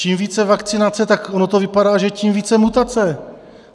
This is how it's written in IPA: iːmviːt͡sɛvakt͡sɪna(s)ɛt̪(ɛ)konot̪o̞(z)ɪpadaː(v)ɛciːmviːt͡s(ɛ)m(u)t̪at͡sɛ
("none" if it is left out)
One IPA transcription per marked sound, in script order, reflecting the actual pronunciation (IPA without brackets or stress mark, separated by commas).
t͡s, a, v, ʒ, ɛ, u